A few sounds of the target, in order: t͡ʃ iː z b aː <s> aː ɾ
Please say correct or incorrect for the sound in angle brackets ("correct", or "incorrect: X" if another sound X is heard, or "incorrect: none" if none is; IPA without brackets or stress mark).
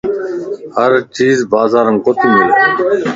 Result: incorrect: z